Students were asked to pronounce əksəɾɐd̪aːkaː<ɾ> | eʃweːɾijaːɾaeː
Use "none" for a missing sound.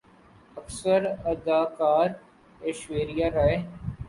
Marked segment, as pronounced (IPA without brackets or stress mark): ɾ